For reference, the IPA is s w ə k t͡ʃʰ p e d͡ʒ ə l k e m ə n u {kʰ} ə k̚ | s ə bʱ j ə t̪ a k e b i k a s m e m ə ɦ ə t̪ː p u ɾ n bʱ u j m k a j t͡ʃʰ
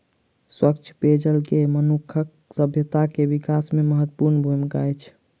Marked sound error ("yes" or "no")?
no